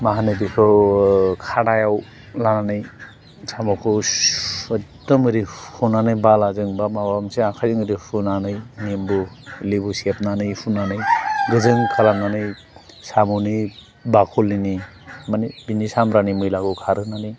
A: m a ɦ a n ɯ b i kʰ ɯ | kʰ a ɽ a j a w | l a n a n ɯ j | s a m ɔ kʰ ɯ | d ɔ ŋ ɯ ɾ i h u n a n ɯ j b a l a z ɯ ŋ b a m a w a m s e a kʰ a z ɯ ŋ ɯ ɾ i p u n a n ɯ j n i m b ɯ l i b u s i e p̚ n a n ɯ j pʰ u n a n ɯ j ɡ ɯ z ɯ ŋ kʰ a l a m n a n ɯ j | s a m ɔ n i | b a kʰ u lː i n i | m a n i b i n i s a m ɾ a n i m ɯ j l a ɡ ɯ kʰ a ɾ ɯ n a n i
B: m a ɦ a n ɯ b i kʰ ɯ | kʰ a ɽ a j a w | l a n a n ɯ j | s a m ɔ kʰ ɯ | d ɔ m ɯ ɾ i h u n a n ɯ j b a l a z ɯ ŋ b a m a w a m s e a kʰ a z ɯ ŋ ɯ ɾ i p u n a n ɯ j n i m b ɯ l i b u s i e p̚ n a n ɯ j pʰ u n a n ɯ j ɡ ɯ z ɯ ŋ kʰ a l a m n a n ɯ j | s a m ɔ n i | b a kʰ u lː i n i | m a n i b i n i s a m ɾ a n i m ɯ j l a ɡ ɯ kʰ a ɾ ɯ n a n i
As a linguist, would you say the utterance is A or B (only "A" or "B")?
B